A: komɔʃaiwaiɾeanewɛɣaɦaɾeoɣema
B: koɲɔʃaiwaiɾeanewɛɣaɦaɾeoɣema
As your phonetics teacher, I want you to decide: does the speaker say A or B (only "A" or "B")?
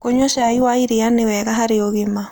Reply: B